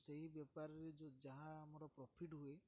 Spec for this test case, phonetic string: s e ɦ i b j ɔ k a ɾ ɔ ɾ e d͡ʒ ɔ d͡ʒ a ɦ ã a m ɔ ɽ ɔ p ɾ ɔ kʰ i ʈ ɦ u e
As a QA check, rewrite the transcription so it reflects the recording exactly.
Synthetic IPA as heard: s e ɦ i b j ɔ p a ɾ ɔ ɾ e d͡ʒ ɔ d͡ʒ a ɦ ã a m ɔ ɾ ɔ p ɾ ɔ pʰ i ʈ ɦ u e